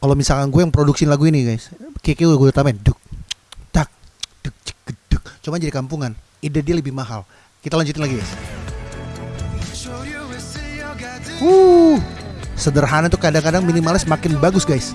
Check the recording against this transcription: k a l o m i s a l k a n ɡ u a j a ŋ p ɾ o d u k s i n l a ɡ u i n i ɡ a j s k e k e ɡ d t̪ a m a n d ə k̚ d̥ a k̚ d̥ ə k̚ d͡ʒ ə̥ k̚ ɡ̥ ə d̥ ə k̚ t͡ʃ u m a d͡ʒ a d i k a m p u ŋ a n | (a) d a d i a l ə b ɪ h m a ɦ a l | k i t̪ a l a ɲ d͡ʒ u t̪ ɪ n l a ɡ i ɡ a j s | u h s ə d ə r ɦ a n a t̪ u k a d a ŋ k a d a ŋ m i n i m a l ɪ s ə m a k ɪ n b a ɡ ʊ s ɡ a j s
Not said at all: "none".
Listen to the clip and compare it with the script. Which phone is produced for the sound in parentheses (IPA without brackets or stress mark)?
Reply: i